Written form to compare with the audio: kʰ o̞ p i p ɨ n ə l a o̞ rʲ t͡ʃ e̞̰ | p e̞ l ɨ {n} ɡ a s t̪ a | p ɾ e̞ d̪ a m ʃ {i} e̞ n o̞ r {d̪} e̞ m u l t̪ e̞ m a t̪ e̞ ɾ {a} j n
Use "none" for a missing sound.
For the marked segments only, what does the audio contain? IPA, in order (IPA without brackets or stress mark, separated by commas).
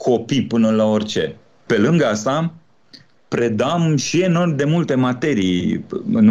ŋ, i, d̪, i